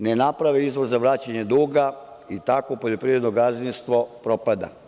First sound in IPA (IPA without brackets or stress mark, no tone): n